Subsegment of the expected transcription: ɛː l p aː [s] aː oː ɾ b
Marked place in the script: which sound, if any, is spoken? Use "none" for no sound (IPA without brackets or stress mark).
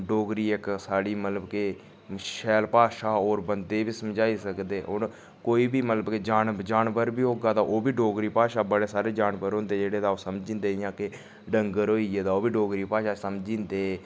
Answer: ʃ